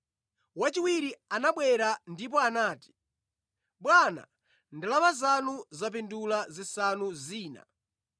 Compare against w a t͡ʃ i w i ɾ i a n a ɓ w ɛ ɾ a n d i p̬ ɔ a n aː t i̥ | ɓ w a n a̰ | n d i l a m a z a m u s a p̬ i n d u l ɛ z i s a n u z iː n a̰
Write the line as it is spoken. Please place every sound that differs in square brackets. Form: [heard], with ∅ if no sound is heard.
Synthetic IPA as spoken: w a t͡ʃ i w i ɾ i a n a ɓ w ɛ ɾ a n d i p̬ ɔ a n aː t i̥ | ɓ w a n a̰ | n d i l a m a z a [n] u [z] a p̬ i n d u l [a] z i s a n u z iː n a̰